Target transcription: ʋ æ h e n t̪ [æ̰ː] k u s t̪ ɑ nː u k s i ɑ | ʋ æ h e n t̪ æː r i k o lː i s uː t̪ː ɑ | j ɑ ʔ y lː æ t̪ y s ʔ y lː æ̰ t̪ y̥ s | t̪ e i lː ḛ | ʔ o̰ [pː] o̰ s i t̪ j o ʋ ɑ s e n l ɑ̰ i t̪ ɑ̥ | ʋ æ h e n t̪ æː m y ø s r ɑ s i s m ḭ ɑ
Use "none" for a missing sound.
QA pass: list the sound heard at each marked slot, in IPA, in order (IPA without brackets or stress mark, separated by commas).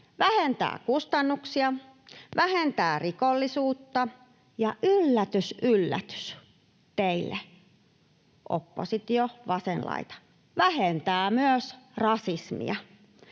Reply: æ̰ː, pː